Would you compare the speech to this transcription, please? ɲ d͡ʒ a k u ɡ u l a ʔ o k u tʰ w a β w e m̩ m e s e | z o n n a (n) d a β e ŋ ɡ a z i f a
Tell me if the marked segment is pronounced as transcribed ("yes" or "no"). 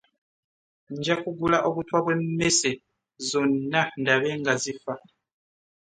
yes